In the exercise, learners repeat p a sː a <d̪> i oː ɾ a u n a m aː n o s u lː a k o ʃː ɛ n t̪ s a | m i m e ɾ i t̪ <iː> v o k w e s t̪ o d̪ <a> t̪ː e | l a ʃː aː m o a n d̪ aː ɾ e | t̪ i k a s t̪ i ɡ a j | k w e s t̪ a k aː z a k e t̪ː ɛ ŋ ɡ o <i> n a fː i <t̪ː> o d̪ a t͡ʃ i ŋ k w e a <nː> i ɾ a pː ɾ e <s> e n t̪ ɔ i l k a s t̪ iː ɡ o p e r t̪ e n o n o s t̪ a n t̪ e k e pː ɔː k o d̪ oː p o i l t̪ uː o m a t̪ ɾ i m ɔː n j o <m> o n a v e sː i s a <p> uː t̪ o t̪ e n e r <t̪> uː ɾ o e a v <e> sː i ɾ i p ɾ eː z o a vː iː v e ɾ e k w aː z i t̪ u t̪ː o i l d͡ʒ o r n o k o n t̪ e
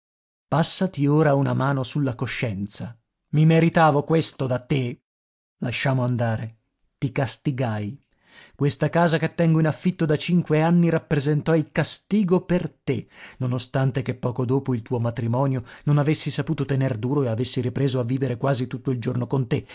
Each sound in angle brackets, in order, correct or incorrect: incorrect: t̪, incorrect: aː, correct, correct, correct, correct, incorrect: z, incorrect: n, correct, incorrect: d̪, correct

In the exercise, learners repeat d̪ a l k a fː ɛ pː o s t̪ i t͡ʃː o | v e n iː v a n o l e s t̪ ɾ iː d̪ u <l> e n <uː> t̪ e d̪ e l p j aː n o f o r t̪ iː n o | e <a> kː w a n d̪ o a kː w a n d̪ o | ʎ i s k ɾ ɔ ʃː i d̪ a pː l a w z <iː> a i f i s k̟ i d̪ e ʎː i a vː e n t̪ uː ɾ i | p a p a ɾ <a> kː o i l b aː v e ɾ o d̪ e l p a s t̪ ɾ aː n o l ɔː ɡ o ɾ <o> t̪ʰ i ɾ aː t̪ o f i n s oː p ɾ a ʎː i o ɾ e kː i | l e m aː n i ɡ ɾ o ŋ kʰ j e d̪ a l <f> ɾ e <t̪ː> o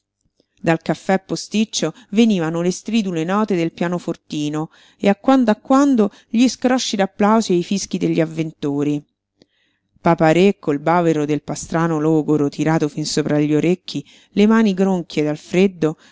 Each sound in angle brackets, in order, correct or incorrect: correct, incorrect: ɔː, correct, incorrect: i, incorrect: e, correct, correct, incorrect: d̪ː

